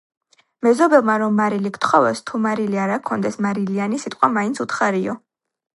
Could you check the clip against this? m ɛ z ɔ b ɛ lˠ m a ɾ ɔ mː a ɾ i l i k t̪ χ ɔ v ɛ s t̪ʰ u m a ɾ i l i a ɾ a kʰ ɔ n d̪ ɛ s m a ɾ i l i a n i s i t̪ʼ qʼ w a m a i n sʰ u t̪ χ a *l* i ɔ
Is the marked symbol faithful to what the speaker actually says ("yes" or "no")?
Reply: no